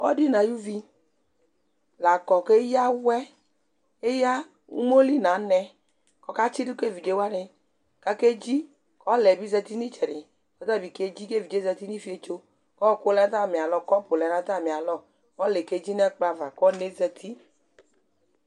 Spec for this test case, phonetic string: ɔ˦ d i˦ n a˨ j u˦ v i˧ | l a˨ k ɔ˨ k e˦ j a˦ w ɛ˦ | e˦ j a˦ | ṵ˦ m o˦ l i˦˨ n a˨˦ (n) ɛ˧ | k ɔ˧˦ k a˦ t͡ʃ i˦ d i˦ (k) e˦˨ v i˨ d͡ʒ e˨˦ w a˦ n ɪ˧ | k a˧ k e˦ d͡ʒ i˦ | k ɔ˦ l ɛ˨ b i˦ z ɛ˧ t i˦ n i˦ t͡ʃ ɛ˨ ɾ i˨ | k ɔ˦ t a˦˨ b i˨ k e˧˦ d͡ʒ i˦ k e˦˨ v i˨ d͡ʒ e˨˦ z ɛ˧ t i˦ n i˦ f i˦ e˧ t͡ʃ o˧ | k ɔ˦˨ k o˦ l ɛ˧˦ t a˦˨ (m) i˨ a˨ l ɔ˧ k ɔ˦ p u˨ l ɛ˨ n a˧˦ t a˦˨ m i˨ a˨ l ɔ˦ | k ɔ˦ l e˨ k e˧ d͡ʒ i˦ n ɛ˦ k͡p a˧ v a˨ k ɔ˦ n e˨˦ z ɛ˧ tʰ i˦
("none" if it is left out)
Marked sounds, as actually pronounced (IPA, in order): n, k, m

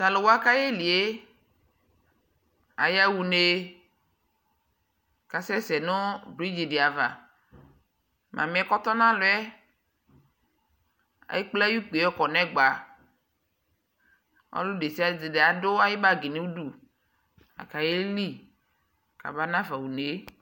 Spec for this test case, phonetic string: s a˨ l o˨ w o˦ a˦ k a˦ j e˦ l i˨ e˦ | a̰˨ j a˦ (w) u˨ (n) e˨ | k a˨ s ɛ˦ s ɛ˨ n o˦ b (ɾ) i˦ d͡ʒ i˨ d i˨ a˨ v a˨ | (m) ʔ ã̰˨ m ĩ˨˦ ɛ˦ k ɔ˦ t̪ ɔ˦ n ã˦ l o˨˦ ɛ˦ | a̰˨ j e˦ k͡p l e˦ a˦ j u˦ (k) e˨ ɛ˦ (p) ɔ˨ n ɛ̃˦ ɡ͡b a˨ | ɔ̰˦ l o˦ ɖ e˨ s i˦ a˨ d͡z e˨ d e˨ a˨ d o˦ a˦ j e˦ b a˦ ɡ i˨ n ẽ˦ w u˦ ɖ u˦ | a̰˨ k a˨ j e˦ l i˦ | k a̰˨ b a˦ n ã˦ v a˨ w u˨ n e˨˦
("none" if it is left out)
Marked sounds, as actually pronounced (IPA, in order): w, n, ɾ, m, k͡p, k

